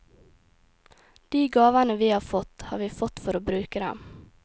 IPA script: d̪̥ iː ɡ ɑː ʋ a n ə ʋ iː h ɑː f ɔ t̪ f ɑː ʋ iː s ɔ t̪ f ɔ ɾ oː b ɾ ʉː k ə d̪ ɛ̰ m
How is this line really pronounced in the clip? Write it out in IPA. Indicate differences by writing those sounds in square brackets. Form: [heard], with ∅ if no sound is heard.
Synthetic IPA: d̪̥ iː ɡ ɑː ʋ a n ə ʋ iː h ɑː f ɔ t̪ [h] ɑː ʋ iː [f] ɔ t̪ f ɔ ɾ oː b ɾ ʉː k ə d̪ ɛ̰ m

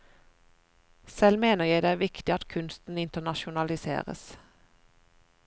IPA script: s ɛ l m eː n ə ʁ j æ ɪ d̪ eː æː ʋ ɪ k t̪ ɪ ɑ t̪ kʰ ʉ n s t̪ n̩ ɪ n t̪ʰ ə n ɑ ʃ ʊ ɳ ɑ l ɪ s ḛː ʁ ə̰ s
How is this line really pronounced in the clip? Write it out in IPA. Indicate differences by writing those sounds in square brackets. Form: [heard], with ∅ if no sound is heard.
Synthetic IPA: s ɛ l m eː n ə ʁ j æ ɪ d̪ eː æː ʋ ɪ k t̪ ɪ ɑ t̪ kʰ ʉ n s t̪ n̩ ɪ n [t̪] ə n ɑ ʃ ʊ [n] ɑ l ɪ s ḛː ʁ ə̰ s

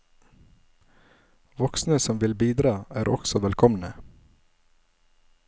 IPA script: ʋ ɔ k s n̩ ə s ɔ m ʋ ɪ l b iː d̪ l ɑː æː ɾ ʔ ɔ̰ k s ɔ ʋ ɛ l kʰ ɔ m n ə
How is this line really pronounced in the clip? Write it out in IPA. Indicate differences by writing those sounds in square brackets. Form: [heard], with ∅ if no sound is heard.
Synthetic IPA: ʋ ɔ k s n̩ ə s ɔ m ʋ ɪ l b iː d̪ [ɾ] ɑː æː ɾ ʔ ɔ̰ k s ɔ ʋ ɛ l kʰ ɔ m n ə

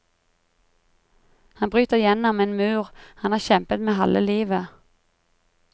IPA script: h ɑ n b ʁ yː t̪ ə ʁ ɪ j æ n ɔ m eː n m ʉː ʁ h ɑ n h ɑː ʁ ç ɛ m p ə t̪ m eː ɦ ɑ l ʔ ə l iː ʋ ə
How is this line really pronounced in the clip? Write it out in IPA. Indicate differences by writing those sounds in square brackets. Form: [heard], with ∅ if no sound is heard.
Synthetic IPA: h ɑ n b ʁ yː t̪ ə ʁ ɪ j [ɛ] n ɔ m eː n m ʉː ʁ h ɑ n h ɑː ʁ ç ɛ m p ə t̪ m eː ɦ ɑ l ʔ ə l iː ʋ ə

